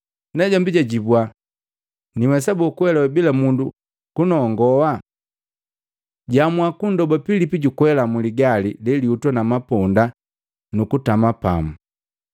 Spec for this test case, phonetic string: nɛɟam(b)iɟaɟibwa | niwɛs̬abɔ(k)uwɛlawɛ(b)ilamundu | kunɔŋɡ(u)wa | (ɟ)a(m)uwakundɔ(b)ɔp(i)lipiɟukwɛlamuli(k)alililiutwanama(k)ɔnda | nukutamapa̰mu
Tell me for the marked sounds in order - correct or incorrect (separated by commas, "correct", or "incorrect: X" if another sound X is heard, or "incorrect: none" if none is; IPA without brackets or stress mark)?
correct, correct, correct, incorrect: ɔ, correct, correct, correct, correct, incorrect: ɡ, incorrect: p